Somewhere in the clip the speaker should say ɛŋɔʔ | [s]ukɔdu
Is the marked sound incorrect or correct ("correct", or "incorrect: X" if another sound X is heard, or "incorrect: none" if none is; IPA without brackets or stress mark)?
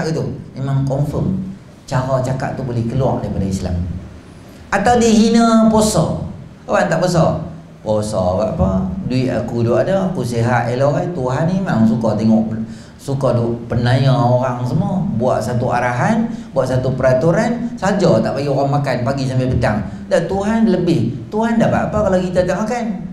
correct